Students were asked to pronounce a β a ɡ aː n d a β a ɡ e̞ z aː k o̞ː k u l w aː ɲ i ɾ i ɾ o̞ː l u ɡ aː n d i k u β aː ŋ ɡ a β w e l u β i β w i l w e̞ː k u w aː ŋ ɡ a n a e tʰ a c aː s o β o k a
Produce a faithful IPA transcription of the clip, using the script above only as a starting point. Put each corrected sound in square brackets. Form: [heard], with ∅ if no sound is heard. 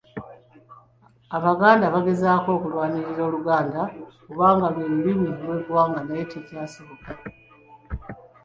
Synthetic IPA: a β a ɡ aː n d a β a ɡ e̞ z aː k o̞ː k u l w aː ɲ i ɾ i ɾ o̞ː l u ɡ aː n d [a] k u β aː ŋ ɡ a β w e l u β i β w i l w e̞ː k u w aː ŋ ɡ a n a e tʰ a c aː s o β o k a

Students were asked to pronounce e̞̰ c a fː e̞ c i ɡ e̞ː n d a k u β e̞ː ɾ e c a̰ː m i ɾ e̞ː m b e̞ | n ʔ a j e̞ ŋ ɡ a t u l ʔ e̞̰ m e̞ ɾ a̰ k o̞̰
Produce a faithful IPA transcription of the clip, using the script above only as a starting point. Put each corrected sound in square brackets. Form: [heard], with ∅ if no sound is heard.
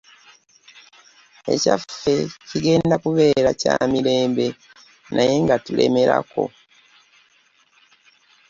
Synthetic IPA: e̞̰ c a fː e̞ c i ɡ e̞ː n d a k u β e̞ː ɾ [a] c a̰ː m i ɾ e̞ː m b e̞ | n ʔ a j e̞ ŋ ɡ a t u l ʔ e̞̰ m e̞ ɾ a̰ k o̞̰

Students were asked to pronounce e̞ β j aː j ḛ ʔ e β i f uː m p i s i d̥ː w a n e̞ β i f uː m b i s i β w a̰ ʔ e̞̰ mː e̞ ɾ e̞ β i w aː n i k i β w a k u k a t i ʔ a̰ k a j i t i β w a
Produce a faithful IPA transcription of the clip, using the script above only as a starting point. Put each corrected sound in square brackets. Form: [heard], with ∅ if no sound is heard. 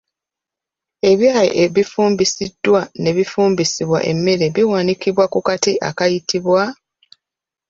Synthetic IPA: e̞ β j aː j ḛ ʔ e β i f uː m [b] i s i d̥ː w a n e̞ β i f uː m b i s i β w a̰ ʔ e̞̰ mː e̞ ɾ e̞ β i w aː n i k i β w a k u k a t i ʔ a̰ k a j i t i β w a

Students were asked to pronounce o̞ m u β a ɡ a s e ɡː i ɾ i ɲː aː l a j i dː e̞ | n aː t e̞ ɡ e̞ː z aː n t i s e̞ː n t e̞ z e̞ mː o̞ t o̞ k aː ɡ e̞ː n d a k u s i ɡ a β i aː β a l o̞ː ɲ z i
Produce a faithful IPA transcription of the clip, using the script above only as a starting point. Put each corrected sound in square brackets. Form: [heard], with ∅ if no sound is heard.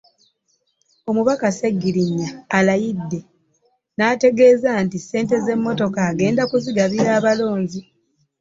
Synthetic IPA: o̞ m u β a [k] a s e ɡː i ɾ i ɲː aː l a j i dː e̞ | n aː t e̞ ɡ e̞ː z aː n t i s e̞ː n t e̞ z e̞ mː o̞ t o̞ k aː ɡ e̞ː n d a k u [z] i ɡ a β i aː β a l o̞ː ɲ z i

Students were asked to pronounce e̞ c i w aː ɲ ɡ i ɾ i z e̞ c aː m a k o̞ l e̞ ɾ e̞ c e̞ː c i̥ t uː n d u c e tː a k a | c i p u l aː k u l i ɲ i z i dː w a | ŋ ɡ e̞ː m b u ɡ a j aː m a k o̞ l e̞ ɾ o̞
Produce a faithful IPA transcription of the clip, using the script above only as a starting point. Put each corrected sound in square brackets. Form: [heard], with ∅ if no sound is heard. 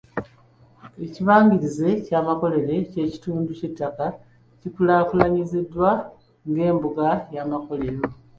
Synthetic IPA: e̞ c i [β] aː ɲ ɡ i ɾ i z e̞ c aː m a k o̞ l e̞ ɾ e̞ c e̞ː c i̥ t uː n d u c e tː a k a | c i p u l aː k u l [a] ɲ i z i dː w a | ŋ ɡ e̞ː m b u ɡ a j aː m a k o̞ l e̞ ɾ o̞

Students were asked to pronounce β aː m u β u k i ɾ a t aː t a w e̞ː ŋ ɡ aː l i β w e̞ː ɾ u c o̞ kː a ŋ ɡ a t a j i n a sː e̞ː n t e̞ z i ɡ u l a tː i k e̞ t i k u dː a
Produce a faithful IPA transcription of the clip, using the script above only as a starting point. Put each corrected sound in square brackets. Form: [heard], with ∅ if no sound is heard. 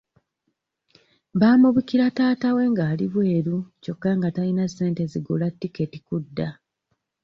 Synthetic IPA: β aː m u β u k i ɾ a t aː t a w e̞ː ŋ ɡ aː l i β w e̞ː ɾ u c o̞ kː a ŋ ɡ a t a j i n a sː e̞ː n t e̞ z i ɡ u l a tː i k e̞ t i k u dː a

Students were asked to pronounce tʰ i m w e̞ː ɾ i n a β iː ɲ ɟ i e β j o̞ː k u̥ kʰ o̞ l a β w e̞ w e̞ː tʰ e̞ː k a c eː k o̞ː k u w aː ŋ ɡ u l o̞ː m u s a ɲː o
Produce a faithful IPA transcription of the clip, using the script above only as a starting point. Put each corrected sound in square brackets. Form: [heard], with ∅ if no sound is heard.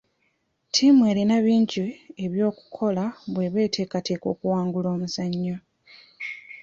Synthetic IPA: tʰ i m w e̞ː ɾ i n a β iː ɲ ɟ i e β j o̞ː k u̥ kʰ o̞ l a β w e̞ [β] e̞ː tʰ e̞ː k a [t] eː k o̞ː k u w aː ŋ ɡ u l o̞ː m u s a ɲː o

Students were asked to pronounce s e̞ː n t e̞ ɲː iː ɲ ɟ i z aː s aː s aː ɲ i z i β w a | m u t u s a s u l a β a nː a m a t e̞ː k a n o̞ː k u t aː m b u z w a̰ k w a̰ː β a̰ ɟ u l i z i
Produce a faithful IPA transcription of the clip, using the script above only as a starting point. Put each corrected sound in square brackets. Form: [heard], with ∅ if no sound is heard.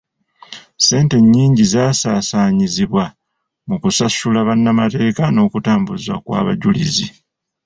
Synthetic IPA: s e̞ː n t e̞ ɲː iː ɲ ɟ i z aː s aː s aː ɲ i z i β w a | m u [k] u s a s u l a β a nː a m a t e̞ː k a n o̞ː k u t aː m b u z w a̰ k w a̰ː β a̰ ɟ u l i z i

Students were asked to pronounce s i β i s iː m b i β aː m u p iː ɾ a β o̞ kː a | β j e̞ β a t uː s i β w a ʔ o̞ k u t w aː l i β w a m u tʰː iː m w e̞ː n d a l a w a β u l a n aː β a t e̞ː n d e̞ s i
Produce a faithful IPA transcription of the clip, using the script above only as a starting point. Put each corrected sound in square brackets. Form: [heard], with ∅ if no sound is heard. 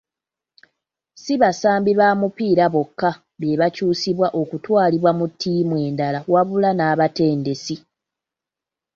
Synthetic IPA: s i β [a] s [aː] m b i β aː m u p iː ɾ a β o̞ kː a | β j e̞ β a [c] uː s i β w a ʔ o̞ k u t w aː l i β w a m u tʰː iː m w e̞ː n d a l a w a β u l a n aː β a t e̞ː n d e̞ s i

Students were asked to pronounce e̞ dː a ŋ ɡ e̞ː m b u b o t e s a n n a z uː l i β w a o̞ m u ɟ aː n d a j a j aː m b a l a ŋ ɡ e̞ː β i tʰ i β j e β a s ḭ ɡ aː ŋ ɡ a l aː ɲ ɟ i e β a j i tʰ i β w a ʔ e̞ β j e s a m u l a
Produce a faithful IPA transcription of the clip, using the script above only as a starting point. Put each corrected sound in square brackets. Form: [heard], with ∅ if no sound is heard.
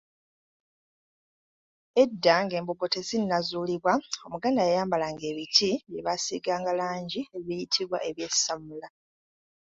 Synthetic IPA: e̞ dː a ŋ ɡ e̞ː m b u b o t e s [i] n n a z uː l i β w a o̞ m u [ɡ] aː n d a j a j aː m b a l a ŋ ɡ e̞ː β i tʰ i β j e β a s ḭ ɡ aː ŋ ɡ a l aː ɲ ɟ i e β [i] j i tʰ i β w a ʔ e̞ β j e s a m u l a

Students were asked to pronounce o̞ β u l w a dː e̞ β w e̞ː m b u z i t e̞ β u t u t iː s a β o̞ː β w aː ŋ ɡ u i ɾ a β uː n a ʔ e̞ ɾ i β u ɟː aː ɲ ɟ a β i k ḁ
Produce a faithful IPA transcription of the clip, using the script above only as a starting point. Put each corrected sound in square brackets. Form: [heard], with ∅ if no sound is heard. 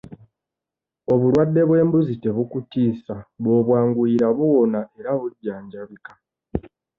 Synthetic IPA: o̞ β u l w a dː e̞ β w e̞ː m b u z i t e̞ β u [k] u t iː s a β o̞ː β w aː ŋ ɡ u i ɾ a β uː n a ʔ e̞ ɾ [a] β u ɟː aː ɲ ɟ a β i k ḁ

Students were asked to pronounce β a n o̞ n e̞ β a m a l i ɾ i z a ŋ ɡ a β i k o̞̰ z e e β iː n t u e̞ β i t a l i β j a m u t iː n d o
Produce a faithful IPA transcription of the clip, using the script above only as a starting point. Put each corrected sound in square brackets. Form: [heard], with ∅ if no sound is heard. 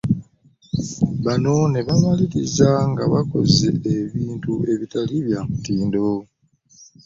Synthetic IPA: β a n o̞ n e̞ β a m a l i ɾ i z a ŋ ɡ a β [a] k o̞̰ z e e β iː n t u e̞ β i t a l i β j a m u t iː n d o

